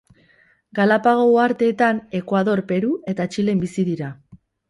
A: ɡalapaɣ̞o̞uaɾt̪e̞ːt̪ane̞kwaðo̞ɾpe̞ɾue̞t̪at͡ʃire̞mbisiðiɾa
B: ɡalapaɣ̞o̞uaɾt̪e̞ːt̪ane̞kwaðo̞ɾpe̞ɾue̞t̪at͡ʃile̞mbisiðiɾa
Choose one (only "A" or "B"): B